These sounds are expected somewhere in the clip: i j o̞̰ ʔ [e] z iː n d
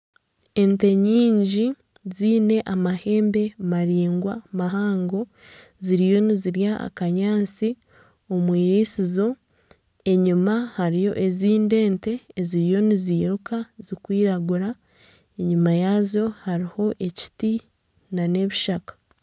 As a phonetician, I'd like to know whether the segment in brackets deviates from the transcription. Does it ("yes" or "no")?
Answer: no